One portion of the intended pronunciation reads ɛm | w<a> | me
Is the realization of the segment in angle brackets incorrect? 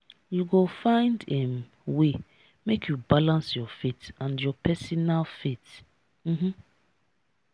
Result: yes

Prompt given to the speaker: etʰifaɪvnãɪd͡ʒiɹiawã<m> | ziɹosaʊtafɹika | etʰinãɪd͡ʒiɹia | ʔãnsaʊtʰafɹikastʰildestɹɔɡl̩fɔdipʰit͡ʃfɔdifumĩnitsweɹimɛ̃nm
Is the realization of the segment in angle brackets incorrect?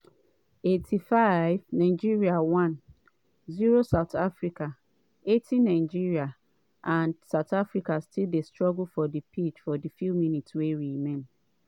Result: yes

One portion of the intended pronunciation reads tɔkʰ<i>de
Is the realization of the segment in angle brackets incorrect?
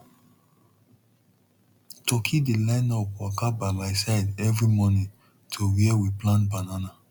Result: no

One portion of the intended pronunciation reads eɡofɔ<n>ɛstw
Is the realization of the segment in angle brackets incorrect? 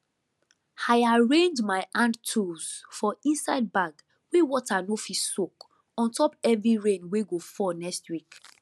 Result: no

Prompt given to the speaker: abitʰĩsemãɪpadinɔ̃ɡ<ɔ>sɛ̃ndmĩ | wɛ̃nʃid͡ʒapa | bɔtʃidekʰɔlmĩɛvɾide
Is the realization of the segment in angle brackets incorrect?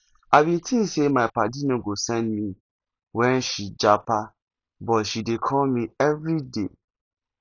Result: yes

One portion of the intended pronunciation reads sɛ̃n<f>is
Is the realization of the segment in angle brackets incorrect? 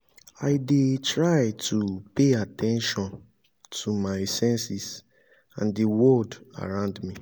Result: yes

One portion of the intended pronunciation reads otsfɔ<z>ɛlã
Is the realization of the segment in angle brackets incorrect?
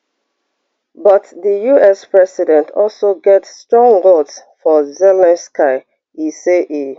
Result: no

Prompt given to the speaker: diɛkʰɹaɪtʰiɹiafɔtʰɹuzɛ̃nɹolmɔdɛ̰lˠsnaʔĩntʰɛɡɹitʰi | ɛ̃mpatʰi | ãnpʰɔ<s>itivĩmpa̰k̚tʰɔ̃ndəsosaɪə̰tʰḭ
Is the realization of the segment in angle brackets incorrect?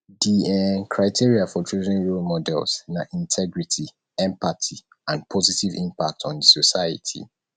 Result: yes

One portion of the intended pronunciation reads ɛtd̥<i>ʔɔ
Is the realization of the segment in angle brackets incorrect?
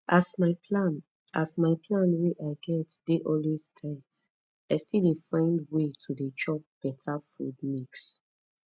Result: yes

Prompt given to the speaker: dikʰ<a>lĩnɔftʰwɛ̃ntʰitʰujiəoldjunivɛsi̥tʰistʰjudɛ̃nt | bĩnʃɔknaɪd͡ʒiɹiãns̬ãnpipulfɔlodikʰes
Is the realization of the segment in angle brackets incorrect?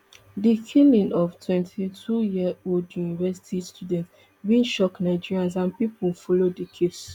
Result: yes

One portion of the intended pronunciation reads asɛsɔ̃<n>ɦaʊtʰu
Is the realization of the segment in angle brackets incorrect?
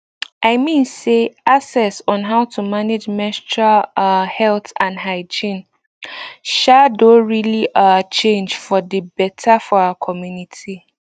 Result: no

